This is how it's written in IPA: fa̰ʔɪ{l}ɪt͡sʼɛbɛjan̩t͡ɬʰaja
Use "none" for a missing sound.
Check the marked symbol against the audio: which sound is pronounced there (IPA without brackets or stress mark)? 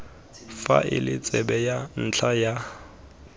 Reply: l